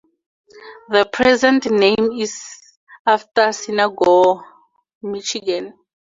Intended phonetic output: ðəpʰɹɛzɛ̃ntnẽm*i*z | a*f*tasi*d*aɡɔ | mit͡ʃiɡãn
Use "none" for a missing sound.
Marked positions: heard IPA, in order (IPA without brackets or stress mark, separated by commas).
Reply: i, f, n